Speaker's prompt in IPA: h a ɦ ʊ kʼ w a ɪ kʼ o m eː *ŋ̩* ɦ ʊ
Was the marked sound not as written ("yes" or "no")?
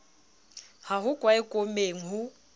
no